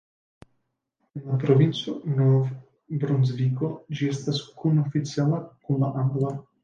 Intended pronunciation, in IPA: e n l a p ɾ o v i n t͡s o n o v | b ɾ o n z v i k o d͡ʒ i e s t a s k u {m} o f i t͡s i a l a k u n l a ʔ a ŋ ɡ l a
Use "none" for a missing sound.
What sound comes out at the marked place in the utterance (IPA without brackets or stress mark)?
n